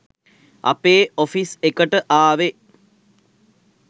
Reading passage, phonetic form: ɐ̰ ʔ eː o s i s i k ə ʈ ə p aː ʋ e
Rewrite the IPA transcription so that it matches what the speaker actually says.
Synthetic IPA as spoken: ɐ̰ p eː o f i s e k ə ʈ ə ʔ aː ʋ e

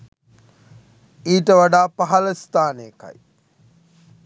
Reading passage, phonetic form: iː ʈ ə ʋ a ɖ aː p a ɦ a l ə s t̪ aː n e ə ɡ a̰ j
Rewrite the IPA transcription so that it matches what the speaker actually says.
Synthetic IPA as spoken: iː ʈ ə ʋ a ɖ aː p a ɦ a l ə s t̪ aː n e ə k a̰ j

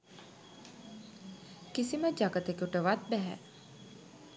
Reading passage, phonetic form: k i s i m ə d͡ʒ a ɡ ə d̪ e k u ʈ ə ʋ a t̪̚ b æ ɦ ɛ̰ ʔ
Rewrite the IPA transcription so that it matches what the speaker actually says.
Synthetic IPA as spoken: k i s i m ə d͡ʒ a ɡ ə t̪ e k u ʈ ə ʋ a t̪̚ b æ ɦ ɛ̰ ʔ

